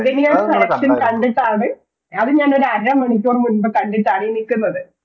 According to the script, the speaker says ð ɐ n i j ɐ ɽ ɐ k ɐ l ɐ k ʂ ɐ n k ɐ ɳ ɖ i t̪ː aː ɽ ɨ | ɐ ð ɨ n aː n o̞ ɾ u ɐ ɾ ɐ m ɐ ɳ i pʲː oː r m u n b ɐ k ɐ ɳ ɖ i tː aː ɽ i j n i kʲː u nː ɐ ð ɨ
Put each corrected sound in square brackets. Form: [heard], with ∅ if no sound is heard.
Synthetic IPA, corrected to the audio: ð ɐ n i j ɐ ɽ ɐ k ɐ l ɐ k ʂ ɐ n k ɐ ɳ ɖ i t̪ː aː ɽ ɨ | ɐ ð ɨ [ɲ] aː n o̞ ɾ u ɐ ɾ ɐ m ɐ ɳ i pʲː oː r m u n b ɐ k ɐ ɳ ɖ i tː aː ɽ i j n i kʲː u nː ɐ ð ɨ